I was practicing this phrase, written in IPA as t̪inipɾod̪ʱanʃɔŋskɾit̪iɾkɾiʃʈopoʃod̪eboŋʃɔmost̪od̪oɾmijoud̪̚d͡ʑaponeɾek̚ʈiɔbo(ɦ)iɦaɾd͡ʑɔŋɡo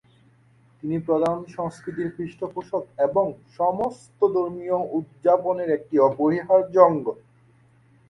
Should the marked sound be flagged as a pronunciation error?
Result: no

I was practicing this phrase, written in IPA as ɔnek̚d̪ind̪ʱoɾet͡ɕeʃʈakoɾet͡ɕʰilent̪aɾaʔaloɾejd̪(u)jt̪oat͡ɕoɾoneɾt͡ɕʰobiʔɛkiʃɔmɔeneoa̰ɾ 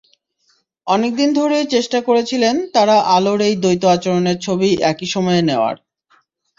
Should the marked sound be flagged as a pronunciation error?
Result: yes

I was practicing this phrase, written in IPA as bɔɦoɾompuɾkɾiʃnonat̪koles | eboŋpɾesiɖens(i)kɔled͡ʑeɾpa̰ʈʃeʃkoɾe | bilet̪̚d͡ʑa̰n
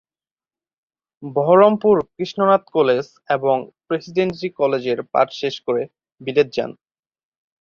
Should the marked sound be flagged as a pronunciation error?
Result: no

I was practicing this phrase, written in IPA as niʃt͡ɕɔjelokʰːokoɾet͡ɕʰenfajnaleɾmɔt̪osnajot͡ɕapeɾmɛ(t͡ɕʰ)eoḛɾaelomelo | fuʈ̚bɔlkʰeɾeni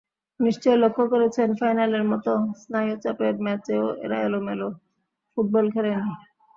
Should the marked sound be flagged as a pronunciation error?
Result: yes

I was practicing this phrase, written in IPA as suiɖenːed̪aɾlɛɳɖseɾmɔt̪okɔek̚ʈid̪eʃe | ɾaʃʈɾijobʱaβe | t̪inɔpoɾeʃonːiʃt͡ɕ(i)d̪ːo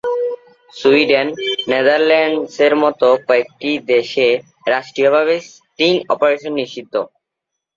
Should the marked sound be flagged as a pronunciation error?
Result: no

